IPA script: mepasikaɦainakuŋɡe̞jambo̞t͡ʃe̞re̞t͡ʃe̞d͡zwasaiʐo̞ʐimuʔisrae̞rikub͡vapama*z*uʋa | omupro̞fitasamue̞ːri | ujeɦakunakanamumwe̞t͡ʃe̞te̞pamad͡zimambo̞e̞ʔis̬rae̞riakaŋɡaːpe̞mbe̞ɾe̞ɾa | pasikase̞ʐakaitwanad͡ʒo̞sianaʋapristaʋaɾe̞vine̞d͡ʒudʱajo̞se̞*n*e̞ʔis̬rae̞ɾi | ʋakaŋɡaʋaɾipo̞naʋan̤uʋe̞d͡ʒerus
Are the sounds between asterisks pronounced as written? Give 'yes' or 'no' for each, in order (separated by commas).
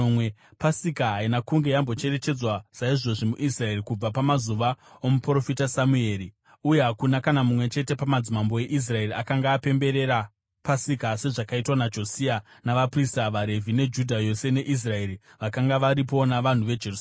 yes, yes